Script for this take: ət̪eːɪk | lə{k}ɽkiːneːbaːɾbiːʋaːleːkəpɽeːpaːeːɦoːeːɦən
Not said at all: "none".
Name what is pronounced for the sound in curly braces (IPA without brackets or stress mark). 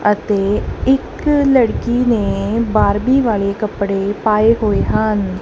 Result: none